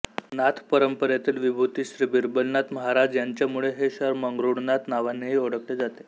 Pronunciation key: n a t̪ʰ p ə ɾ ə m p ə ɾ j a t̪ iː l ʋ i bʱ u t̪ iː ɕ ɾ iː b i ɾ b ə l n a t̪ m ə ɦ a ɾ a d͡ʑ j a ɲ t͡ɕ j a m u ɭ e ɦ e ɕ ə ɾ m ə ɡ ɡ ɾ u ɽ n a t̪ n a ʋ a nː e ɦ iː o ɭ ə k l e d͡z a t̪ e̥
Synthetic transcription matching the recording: n a t̪ʰ p ə ɾ ə m p ə ɾ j a t̪ iː l ʋ i bʱ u t̪ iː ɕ ɾ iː b i ɾ b ə l n a t̪ m ə ɦ a ɾ a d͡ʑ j a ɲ t͡ɕ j a m u ɭ e ɦ e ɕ ə ɾ m ə ŋ ɡ ɾ u ɽ n a t̪ n a ʋ a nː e ɦ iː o ɽ ə k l e d͡z a t̪ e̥